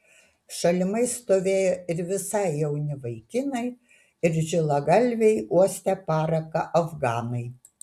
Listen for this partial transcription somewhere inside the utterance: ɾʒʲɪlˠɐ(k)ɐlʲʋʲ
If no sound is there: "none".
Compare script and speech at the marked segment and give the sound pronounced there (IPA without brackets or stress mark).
ɡ